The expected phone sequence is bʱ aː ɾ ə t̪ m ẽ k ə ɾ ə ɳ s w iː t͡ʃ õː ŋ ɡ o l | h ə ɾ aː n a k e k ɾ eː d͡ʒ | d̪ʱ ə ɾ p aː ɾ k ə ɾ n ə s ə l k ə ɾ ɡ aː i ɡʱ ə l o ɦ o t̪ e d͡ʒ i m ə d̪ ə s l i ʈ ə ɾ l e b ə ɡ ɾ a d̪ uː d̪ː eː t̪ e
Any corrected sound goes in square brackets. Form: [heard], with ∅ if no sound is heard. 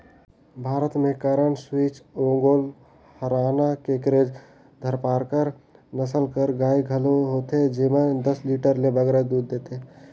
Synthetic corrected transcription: bʱ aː ɾ ə t̪ m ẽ k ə ɾ ə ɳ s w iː t͡ʃ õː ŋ ɡ o l | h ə ɾ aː n a k e k ɾ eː d͡ʒ | d̪ʱ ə ɾ p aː ɾ k ə ɾ n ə s ə l k ə ɾ ɡ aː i ɡʱ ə l o ɦ o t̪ e d͡ʒ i m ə d̪ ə s l i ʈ ə ɾ l e b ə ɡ ɾ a d̪ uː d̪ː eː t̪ e